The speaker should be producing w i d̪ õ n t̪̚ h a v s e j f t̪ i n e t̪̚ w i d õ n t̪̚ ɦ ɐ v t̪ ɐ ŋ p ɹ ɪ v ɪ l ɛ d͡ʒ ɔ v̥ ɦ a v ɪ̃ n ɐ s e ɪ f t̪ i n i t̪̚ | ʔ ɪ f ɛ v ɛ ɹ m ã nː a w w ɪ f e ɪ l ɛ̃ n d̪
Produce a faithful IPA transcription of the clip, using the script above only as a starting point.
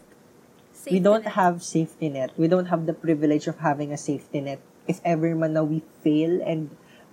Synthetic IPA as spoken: w i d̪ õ n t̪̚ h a v s e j f t̪ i n ɛ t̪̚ w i d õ n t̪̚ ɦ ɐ v d̪ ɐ p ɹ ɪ v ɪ l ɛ d͡ʒ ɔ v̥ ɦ a v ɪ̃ ŋ ɐ s e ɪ f t̪ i n ɛ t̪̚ | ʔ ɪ f ɛ v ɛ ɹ m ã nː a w w i f e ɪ l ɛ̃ n d̪